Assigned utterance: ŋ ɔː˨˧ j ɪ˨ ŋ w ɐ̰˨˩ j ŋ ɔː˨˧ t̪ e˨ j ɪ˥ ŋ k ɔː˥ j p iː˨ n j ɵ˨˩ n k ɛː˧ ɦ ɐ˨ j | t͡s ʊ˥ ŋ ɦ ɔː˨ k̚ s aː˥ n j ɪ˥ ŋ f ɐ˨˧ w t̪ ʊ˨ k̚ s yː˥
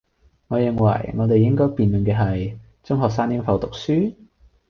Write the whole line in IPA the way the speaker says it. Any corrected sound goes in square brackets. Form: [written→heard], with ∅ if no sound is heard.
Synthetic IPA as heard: ŋ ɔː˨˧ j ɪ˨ ŋ w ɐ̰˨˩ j ŋ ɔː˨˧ t̪ e˨ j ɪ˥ ŋ k ɔː˥ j p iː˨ n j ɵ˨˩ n k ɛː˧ ɦ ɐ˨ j | t͡s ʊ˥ ŋ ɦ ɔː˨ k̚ s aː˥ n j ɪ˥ ŋ f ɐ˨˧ w t̪ ʊ˨ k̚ s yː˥